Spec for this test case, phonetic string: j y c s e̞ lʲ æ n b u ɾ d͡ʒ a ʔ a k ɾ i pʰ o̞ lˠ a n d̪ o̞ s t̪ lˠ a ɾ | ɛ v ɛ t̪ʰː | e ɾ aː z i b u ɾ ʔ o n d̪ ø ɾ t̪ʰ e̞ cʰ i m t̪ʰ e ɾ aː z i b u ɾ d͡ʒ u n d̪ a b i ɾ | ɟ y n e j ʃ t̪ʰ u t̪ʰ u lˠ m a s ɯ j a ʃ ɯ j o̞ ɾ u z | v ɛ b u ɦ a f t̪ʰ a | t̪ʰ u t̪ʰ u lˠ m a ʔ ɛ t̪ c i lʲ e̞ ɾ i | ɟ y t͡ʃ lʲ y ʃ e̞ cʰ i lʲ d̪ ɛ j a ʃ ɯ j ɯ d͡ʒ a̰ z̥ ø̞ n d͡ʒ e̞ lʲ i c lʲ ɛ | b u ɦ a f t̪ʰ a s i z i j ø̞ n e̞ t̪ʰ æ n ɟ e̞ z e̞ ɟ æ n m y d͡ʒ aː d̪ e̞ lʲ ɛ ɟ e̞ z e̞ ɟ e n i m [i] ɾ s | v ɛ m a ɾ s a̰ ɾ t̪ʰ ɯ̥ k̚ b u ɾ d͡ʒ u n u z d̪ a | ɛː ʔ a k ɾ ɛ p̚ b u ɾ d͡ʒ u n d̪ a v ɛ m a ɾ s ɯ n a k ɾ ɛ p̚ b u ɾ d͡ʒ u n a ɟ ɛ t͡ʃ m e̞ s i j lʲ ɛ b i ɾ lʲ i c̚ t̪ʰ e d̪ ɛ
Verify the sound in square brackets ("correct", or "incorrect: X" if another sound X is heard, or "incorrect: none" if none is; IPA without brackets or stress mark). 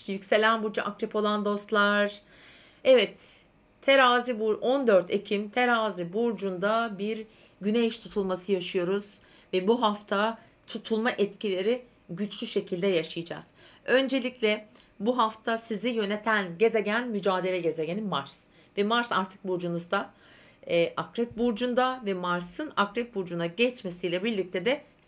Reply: incorrect: a